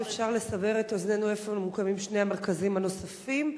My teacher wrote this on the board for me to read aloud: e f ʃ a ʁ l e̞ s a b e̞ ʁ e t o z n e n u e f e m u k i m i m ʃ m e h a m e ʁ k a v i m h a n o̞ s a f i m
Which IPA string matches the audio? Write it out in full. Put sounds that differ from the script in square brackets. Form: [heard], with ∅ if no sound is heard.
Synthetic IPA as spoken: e f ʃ a ʁ l e̞ s a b e̞ ʁ e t o z n e n u e f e m u k [a] m i m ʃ [n] e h a m e ʁ k a [z] i m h a n o̞ s a f i m